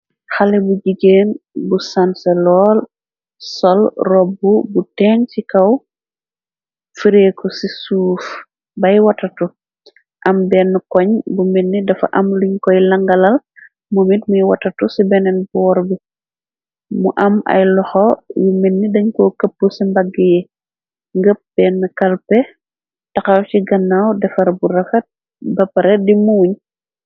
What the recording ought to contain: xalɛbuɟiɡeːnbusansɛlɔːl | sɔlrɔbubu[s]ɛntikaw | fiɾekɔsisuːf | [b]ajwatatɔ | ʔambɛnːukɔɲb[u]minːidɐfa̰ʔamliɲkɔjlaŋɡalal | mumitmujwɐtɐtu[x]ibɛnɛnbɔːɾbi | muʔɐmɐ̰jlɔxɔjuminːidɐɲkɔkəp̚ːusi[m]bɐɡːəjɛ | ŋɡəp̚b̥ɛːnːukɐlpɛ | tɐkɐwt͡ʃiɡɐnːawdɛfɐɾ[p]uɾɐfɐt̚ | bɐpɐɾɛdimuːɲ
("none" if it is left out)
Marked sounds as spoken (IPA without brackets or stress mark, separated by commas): t, b, u, s, m, b